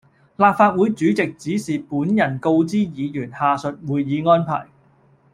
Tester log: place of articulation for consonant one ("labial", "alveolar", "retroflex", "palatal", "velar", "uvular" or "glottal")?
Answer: alveolar